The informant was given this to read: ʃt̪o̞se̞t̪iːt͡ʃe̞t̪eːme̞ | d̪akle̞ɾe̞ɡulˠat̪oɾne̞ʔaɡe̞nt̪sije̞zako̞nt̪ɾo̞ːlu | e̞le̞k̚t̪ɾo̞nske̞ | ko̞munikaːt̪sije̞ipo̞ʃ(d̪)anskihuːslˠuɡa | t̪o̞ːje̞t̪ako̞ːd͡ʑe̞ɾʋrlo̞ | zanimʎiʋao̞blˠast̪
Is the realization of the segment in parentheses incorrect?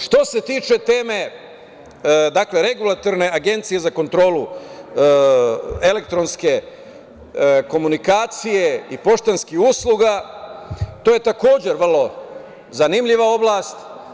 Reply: yes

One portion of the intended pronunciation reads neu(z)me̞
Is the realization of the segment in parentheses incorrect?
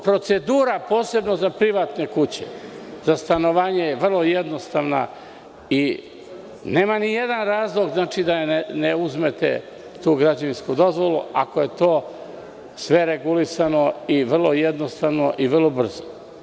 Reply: no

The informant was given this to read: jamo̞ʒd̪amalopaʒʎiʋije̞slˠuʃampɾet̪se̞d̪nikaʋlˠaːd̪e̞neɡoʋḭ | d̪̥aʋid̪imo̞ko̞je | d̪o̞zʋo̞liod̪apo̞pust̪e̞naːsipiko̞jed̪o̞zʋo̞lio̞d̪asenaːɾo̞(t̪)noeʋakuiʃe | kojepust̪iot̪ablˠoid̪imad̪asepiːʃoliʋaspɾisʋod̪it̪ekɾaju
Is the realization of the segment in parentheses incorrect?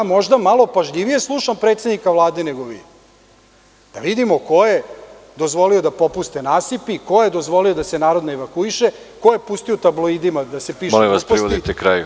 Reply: yes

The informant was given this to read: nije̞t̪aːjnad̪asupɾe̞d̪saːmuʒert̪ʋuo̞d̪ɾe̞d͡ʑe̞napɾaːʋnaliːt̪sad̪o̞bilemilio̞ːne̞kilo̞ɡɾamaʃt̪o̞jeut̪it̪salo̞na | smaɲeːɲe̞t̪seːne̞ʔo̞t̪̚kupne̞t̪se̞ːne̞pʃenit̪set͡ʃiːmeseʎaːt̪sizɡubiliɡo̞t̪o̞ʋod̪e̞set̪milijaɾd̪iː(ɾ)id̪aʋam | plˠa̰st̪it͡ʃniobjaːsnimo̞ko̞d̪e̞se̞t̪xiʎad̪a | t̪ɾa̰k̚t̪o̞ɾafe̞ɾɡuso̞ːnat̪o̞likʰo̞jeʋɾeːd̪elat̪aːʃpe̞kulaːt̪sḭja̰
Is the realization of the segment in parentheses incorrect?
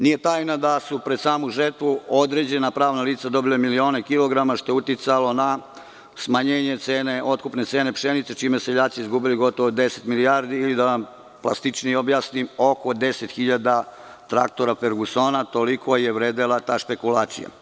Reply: yes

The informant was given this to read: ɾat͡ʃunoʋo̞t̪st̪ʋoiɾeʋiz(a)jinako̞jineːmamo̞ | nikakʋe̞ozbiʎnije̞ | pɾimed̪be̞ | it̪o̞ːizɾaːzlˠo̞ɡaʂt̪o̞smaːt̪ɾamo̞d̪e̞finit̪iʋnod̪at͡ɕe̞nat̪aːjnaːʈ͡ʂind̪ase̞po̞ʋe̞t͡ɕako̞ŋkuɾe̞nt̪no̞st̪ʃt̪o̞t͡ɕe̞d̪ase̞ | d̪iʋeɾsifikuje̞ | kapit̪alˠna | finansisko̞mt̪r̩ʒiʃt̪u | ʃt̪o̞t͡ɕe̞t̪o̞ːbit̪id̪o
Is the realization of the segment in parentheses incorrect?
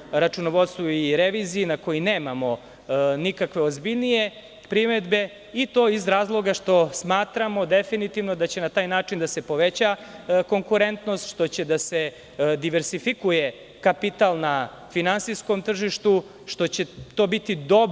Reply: yes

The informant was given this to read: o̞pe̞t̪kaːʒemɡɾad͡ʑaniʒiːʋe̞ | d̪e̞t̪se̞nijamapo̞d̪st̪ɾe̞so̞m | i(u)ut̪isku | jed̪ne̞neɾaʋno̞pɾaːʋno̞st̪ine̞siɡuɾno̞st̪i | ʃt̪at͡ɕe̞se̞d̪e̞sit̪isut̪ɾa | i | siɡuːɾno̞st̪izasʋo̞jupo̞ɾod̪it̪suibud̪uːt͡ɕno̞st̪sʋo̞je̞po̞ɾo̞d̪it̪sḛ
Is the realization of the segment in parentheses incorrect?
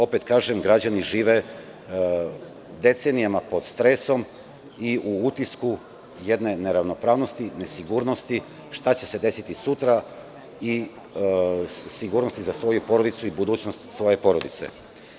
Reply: no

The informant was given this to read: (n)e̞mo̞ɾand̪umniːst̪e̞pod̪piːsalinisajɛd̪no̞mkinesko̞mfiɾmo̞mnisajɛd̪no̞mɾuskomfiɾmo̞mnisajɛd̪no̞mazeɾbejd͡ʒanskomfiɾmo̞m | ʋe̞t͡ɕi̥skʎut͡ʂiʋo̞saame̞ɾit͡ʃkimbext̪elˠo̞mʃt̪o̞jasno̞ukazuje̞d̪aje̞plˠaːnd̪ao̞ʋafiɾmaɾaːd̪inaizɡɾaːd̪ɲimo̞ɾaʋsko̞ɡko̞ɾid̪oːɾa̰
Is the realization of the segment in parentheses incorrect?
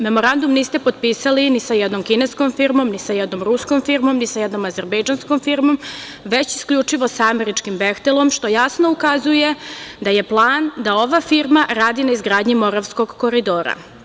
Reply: yes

